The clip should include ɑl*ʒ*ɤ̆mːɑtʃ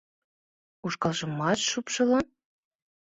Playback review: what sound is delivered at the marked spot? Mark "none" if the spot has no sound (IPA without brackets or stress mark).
ʒ